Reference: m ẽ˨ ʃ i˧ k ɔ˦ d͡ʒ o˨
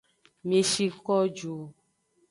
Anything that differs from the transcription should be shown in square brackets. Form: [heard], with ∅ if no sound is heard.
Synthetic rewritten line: m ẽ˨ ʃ i˧ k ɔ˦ d͡ʒ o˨